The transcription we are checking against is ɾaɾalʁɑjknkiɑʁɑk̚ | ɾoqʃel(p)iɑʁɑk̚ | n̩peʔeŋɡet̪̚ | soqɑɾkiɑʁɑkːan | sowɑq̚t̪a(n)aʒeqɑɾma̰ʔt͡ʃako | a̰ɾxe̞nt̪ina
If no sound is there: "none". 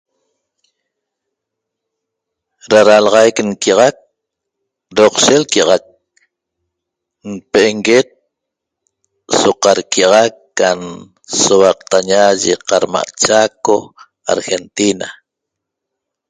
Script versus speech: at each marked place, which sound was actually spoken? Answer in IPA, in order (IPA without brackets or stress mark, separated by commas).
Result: k, ɲ